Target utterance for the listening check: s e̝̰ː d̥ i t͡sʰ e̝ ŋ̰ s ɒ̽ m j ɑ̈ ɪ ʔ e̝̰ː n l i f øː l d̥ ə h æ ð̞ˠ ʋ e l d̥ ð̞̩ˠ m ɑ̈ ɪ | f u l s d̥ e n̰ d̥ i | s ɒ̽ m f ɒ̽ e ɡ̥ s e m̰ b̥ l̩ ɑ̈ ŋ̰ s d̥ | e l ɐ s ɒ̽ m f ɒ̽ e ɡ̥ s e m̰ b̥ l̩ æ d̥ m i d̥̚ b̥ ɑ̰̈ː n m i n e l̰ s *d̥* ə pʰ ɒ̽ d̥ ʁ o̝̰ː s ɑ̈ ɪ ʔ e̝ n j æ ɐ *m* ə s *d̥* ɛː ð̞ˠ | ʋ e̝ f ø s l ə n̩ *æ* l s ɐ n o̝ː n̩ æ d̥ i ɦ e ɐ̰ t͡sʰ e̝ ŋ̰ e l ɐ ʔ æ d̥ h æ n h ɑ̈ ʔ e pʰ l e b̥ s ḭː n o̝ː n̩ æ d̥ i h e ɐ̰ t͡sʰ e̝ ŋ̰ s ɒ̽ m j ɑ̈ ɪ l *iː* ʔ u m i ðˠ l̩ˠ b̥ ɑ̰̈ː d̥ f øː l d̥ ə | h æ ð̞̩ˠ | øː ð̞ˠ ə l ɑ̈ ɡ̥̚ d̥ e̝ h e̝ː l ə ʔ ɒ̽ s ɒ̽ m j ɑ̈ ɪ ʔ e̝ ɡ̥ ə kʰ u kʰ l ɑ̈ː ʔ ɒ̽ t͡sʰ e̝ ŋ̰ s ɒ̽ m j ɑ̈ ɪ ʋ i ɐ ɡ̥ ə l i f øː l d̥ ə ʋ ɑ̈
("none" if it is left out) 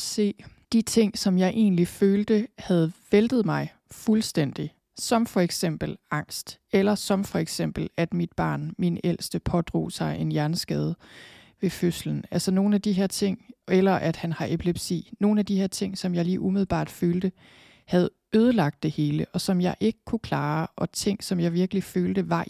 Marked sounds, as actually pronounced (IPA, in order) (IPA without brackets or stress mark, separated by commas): d̥, n, ɡ̥, æ, iː